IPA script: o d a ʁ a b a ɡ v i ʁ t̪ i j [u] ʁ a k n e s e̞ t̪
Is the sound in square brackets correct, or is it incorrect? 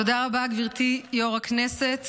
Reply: incorrect